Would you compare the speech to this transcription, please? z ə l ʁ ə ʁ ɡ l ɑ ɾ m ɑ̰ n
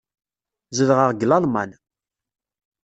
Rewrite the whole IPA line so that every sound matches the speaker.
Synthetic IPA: z ə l ʁ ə ʁ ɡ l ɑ l m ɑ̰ n

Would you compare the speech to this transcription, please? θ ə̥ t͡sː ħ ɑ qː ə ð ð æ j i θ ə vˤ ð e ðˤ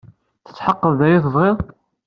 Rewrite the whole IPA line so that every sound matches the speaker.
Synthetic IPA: θ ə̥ t͡sː ħ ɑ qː ə ð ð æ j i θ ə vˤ ʁ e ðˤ

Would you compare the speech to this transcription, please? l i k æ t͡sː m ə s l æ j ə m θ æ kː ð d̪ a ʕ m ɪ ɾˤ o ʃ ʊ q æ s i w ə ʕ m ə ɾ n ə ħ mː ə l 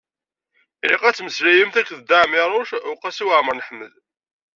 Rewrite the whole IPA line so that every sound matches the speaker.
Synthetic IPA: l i q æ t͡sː m ə s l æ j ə m θ æ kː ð d̪ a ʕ m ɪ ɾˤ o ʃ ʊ q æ s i w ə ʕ m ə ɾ n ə ħ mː ə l

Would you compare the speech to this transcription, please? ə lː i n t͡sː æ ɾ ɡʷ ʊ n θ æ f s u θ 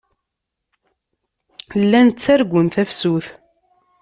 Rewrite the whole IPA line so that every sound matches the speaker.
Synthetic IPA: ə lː æ n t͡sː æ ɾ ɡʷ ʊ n θ æ f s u θ

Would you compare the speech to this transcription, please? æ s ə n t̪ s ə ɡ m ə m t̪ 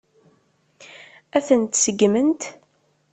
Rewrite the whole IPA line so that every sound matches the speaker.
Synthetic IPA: æ θ ə n t̪ s ə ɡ m ə n t̪

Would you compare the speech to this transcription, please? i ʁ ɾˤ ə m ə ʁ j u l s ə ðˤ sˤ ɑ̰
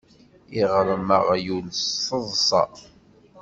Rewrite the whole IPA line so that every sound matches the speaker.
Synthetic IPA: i ʁ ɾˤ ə m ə ʁ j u l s ə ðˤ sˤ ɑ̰

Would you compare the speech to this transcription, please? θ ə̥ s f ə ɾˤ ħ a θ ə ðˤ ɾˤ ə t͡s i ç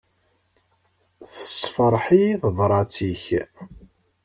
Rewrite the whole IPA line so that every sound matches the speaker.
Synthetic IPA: θ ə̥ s f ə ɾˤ ħ i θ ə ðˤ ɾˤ ɑ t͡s i ç

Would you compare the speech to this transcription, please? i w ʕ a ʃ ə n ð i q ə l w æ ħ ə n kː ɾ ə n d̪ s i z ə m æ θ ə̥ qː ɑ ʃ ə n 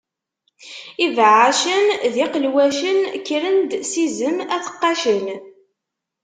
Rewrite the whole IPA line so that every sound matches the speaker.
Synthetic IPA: i v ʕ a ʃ ə n ð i q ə l w æ ʃ ə n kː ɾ ə n d̪ s i z ə m æ θ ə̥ qː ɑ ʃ ə n

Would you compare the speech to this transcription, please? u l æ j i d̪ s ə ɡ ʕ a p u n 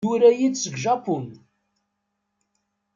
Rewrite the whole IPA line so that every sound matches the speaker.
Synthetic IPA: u ɾ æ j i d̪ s ə ɡ ʒ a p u n

